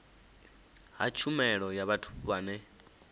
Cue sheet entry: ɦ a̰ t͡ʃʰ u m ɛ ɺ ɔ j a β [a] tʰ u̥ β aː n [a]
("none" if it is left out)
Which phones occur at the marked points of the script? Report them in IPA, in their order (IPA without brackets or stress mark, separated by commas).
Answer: a, ɛ